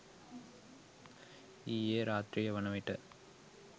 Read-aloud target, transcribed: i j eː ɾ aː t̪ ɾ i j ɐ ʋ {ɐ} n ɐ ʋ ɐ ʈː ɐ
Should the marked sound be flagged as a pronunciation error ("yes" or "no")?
no